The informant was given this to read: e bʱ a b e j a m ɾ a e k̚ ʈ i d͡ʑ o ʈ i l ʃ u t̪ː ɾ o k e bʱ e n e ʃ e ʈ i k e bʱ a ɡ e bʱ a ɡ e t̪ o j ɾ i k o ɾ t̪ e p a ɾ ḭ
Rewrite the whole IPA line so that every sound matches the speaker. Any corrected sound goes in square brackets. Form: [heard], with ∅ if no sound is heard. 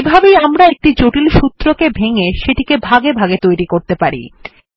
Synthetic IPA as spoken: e bʱ a b e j a m ɾ a e k̚ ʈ i d͡ʑ o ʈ i l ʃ u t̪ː ɾ o k e bʱ e [ŋ] e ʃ e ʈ i k e bʱ a ɡ e bʱ a ɡ e t̪ o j ɾ i k o ɾ t̪ e p a ɾ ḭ